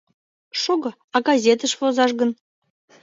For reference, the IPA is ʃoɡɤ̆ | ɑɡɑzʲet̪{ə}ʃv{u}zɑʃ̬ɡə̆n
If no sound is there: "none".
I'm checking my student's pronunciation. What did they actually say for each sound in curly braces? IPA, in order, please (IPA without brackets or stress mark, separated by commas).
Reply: ə, o